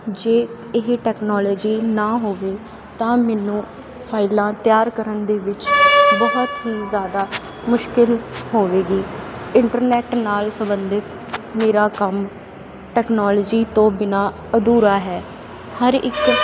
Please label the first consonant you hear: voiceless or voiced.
voiced